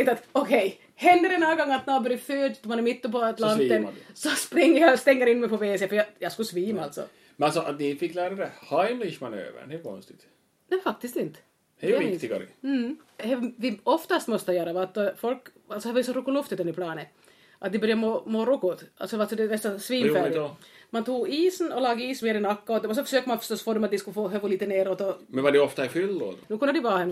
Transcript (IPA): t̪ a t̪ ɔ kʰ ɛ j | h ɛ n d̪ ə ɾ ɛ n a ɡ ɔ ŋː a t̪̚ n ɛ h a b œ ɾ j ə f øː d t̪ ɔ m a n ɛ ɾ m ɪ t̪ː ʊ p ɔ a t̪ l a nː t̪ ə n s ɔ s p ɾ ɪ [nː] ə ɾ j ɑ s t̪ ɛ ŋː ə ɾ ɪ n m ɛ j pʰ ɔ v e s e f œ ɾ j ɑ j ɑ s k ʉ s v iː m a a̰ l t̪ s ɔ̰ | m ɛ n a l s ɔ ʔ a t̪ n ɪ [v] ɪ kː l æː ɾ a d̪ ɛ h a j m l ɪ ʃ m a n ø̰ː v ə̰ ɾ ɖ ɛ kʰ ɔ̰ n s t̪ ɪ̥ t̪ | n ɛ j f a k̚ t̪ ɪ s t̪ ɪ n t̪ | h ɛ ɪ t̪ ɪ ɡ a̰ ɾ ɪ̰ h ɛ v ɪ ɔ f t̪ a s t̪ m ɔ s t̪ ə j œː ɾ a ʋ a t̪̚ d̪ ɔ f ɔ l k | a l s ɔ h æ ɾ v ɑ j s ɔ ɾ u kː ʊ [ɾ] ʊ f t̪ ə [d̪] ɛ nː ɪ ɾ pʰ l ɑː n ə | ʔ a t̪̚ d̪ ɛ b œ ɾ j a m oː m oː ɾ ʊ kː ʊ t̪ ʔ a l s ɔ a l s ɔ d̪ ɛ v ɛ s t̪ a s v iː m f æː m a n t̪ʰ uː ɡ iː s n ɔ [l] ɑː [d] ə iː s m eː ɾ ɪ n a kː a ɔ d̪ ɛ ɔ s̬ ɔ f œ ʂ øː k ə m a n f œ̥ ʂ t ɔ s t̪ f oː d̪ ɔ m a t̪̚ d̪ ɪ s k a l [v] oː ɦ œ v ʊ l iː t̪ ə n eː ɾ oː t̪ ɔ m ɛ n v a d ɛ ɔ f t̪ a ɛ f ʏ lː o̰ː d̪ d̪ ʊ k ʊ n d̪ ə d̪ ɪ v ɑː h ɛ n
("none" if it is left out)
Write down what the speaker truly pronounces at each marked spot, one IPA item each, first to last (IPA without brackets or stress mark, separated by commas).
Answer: ŋː, f, l, t̪, l, ɡ, f